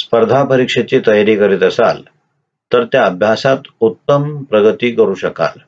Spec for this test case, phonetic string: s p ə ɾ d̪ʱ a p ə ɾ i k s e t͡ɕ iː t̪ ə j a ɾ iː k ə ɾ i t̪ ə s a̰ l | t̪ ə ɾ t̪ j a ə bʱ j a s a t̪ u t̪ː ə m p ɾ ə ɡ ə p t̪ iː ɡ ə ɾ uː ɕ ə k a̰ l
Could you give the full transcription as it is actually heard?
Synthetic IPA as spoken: s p ə ɾ d̪ʱ a p ə ɾ i k ʂ e t͡ɕ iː t̪ ə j a ɾ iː k ə ɾ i t̪ ə s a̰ l | t̪ ə ɾ t̪ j a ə bʱ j a s a t̪ u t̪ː ə m p ɾ ə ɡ ə t̪ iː k ə ɾ uː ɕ ə k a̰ l